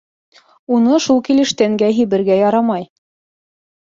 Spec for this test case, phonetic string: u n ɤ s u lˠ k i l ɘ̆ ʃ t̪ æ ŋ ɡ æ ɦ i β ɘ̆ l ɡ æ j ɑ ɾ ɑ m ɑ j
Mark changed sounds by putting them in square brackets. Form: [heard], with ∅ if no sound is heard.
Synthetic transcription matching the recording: u n ɤ [ʃ] u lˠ k i l ɘ̆ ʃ t̪ æ ŋ ɡ æ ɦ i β ɘ̆ [ɾ] ɡ æ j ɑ ɾ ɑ m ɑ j